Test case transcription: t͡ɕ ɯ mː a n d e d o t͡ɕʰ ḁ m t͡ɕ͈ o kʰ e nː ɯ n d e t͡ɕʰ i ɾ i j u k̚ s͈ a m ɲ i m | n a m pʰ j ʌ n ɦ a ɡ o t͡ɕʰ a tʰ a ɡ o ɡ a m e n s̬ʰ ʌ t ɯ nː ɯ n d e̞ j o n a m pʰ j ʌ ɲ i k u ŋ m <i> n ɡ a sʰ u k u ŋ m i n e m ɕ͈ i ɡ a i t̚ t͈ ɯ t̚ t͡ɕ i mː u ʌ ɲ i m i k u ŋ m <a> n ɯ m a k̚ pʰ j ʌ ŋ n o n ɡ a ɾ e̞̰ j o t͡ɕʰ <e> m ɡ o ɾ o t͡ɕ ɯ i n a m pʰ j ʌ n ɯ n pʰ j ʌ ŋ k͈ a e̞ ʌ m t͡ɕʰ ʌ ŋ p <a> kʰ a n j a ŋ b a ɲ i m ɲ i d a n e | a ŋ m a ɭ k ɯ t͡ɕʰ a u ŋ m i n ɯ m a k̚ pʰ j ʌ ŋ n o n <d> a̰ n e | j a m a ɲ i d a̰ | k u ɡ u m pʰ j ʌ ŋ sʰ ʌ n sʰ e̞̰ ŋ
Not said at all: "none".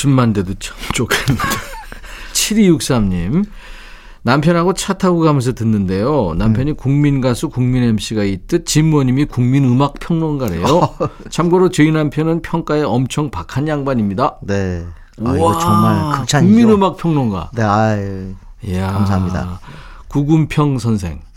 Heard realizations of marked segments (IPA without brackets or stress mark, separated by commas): i, i, a, a, ɡ